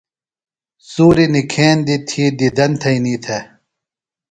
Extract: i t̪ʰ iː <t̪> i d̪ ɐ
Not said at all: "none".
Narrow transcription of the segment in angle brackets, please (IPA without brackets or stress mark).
d̪